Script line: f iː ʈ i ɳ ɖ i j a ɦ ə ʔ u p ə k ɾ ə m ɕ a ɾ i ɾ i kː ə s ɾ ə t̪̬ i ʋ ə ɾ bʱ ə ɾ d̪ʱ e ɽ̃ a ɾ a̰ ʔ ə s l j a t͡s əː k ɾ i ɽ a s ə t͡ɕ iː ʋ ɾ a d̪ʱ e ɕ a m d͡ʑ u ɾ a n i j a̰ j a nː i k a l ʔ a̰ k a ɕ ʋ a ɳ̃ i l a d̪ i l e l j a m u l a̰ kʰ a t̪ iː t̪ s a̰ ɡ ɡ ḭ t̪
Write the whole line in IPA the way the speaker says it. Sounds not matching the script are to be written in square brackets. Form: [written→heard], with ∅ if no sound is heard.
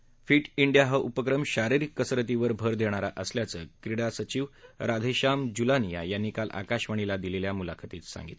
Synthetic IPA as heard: f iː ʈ i ɳ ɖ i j a ɦ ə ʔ u p ə k ɾ ə m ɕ a ɾ i ɾ i kː ə s ɾ ə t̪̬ i ʋ ə ɾ bʱ ə ɾ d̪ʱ e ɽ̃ a ɾ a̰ ʔ ə s l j a t͡s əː k ɾ i ɽ a s ə t͡ɕ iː ʋ ɾ a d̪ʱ e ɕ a m d͡ʑ u [ɾ→l] a n i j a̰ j a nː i k a l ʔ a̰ k a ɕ ʋ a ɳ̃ i l a d̪ i l e l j a m u l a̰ kʰ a t̪ iː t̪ s a̰ [ɡ→ŋ] ɡ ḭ t̪